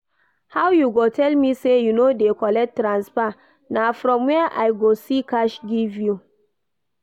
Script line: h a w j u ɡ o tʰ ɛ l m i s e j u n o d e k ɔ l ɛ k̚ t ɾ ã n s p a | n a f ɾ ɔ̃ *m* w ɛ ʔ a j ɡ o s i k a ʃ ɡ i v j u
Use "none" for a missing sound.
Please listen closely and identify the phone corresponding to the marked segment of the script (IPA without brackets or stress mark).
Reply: m